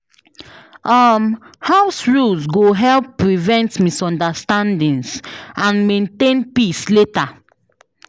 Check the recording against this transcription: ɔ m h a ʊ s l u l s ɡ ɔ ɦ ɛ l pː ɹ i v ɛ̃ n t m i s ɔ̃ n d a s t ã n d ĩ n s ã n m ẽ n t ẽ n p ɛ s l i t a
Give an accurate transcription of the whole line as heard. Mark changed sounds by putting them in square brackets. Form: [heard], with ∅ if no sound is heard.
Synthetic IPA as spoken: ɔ m h a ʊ s [ɹ] u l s ɡ [o] ɦ ɛ l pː ɹ i v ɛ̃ n t m i s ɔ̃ n d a s t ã n d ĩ n s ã n m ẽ n t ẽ n p [i] s l [e] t a